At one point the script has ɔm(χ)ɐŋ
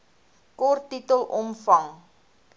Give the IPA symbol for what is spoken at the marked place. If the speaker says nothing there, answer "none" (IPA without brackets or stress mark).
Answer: f